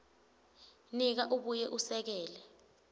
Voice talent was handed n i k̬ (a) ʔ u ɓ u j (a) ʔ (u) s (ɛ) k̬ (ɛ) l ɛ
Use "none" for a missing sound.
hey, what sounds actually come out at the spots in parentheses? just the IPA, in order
a, ɛ, u, ɛ, ɛː

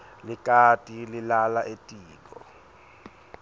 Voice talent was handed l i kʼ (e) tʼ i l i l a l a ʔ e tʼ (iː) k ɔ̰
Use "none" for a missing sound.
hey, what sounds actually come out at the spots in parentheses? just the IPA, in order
a, iː

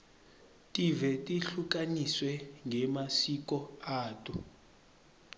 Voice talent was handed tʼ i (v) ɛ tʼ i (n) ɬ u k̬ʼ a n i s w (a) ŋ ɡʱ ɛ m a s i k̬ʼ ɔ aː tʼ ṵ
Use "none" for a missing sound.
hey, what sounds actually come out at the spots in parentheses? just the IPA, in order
v, none, ɛ

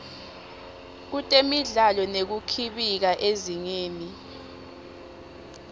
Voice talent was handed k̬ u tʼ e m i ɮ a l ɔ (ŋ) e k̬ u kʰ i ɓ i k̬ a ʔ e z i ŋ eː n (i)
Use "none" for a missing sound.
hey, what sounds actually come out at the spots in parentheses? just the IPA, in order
n, i

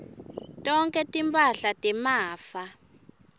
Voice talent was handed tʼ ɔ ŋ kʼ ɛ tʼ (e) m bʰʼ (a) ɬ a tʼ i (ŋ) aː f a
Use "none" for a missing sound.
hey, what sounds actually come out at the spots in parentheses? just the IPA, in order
i, a, m

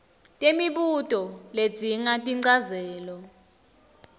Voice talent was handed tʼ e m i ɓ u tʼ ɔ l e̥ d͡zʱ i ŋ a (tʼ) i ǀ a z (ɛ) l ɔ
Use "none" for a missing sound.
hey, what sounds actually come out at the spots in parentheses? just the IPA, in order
tʼ, ɛː

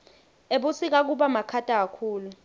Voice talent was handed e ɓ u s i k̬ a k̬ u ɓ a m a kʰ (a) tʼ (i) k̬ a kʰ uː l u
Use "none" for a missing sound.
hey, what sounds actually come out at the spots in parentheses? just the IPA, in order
a, a

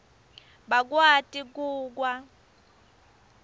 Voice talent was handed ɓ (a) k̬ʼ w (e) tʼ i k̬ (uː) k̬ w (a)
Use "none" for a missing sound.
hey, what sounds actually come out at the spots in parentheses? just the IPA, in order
a, a, uː, a

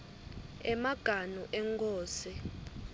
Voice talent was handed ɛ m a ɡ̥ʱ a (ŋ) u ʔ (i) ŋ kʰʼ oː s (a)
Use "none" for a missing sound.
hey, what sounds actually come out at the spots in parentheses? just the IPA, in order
n, ɛ, i

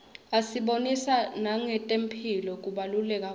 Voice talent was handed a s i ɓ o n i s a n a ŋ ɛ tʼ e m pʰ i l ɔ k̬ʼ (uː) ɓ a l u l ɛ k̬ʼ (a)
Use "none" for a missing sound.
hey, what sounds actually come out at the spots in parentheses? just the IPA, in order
u, a

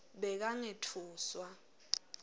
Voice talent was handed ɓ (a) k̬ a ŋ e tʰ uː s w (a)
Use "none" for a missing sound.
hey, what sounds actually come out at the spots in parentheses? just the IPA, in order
ɛ, a

